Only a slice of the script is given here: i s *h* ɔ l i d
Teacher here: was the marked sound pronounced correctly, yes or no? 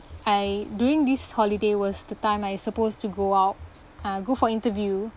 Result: yes